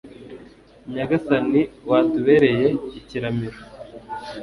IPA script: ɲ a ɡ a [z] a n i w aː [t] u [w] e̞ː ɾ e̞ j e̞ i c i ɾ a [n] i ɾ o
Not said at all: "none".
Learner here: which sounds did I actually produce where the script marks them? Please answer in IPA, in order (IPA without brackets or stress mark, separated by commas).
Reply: s, t, β, m